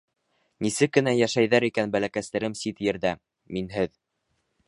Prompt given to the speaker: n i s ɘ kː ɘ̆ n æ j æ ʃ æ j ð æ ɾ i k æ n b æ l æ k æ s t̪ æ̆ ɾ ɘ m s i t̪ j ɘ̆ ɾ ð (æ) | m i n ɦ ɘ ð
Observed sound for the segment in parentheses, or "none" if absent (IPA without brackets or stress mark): æ